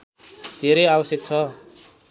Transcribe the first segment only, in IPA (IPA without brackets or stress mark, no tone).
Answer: d̪ʱ